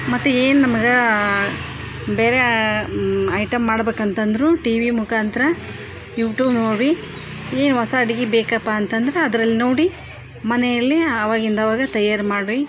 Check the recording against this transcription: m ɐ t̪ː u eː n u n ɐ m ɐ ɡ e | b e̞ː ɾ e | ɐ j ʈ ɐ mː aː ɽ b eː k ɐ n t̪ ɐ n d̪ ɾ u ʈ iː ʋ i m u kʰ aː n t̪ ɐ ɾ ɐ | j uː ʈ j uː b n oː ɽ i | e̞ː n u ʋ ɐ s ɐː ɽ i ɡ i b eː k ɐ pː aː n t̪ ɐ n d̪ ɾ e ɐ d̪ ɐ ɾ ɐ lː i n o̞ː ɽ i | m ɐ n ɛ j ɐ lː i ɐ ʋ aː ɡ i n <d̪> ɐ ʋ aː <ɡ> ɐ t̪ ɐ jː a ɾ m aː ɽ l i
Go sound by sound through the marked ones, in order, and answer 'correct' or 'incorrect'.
correct, correct

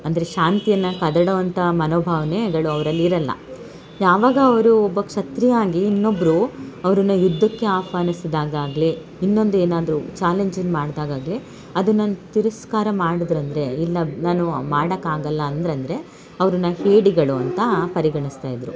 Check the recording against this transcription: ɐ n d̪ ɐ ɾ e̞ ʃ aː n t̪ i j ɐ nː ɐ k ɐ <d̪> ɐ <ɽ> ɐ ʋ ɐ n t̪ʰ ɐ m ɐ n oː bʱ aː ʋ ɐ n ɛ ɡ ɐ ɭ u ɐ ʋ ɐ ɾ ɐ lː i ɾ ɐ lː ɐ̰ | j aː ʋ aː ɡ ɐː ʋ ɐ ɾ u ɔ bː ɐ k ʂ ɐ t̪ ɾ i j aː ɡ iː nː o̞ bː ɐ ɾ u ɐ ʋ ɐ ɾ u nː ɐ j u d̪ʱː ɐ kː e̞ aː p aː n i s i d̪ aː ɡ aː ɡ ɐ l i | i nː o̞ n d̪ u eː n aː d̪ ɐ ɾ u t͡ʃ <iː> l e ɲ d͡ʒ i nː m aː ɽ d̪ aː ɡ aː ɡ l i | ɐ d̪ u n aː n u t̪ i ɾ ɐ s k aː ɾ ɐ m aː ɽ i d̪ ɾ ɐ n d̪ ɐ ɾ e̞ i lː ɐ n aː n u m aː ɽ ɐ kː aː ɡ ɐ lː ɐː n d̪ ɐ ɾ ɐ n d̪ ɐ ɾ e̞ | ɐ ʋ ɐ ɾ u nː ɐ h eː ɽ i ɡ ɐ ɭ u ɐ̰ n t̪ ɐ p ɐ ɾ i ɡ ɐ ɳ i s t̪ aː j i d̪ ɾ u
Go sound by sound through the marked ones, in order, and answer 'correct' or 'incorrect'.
correct, correct, incorrect: aː

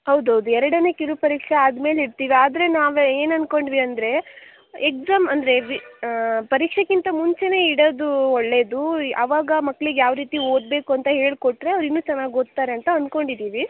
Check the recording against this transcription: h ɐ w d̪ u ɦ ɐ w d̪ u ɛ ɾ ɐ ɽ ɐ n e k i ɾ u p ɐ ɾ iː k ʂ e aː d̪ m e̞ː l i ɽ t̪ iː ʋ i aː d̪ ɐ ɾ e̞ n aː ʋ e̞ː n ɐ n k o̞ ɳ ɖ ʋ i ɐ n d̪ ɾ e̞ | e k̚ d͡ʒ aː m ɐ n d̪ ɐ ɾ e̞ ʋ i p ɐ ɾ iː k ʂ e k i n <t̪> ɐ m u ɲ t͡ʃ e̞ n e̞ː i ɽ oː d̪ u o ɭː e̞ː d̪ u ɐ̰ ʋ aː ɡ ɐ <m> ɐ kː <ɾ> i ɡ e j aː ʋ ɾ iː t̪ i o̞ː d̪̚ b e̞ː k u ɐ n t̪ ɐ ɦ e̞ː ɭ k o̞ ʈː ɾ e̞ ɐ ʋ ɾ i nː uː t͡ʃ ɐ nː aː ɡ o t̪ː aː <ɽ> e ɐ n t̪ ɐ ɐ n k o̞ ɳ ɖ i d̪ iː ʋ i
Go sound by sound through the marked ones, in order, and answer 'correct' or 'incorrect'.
correct, correct, incorrect: ɭ, incorrect: ɾ

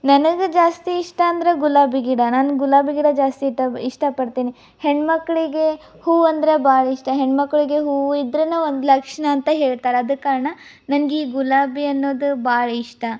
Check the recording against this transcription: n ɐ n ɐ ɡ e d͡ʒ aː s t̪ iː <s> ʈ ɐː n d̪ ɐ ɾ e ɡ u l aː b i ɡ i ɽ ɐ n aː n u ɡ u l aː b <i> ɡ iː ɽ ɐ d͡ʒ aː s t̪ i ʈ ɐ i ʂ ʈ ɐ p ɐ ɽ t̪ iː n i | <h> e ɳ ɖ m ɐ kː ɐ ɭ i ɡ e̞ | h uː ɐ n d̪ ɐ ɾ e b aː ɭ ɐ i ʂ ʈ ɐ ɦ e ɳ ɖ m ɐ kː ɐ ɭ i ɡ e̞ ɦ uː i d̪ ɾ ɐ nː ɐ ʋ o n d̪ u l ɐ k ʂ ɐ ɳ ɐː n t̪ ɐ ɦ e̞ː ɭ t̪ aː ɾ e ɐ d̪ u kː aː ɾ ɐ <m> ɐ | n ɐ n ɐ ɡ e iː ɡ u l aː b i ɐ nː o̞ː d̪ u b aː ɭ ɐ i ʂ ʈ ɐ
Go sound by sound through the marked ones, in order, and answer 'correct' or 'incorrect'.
incorrect: ʂ, correct, correct, incorrect: ɳ

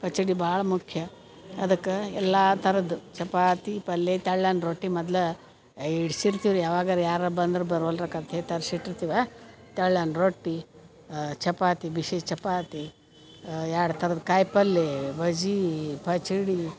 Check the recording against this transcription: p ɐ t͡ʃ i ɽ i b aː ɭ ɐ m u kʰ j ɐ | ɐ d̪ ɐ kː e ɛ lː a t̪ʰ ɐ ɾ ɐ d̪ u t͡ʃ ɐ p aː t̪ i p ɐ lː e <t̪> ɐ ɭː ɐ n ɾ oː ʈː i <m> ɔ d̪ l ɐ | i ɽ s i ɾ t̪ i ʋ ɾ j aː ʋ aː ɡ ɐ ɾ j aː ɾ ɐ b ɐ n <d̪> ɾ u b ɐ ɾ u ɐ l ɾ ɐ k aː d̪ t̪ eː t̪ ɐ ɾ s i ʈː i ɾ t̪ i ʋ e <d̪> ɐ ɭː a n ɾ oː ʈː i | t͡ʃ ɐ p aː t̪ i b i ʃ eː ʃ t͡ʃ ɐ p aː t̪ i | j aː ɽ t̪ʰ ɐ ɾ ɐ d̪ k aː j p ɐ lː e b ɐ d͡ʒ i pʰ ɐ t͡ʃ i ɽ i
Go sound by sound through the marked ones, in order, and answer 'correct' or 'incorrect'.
correct, correct, correct, incorrect: t̪

